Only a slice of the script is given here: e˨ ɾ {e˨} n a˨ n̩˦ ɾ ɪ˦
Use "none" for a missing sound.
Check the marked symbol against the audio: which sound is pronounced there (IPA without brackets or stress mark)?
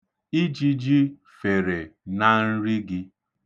e˨